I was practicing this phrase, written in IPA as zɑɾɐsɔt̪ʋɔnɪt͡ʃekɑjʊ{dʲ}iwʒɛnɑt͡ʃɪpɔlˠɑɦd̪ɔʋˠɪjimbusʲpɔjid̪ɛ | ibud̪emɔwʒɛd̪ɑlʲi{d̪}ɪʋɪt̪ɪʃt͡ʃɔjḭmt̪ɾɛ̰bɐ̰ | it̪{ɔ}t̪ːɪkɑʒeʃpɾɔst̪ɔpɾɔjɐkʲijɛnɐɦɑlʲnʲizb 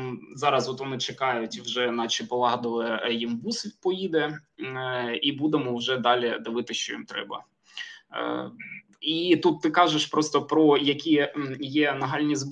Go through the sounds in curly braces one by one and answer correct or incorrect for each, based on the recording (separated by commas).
incorrect, correct, incorrect